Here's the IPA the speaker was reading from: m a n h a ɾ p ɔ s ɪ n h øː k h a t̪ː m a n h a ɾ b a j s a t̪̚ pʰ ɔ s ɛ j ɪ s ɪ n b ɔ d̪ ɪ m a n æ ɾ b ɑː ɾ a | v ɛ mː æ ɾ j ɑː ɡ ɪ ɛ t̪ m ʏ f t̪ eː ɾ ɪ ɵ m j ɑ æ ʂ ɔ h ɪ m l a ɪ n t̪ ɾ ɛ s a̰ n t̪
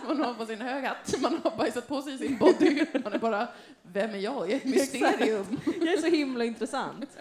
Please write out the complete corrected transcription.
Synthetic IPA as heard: m a n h a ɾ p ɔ s ɪ n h øː ɡ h a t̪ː m a n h a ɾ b a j s a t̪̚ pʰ ɔ s ɛ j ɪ s ɪ n b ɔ d̪ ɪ m a n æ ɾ b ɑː ɾ a | v ɛ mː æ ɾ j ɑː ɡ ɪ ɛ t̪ m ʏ s t̪ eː ɾ ɪ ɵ m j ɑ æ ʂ ɔ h ɪ m l a ɪ n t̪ ɾ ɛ s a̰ n t̪